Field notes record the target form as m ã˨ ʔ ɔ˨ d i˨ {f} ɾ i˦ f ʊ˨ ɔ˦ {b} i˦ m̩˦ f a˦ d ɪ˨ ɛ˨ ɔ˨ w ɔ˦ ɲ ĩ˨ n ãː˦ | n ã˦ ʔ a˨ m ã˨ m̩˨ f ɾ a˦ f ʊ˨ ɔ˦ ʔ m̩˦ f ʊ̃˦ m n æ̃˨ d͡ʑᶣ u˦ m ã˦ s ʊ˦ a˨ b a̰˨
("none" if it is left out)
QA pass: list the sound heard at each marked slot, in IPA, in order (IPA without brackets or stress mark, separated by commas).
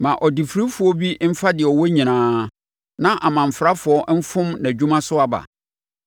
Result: f, b